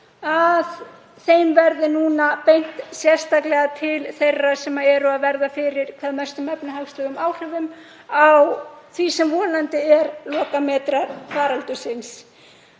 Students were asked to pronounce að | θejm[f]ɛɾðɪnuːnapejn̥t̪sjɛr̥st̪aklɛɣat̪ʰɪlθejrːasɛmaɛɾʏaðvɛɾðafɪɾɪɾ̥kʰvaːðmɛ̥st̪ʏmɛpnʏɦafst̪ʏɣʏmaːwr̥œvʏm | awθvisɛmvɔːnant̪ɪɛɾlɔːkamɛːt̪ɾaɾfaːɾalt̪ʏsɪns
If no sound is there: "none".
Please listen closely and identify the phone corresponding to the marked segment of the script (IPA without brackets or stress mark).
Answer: v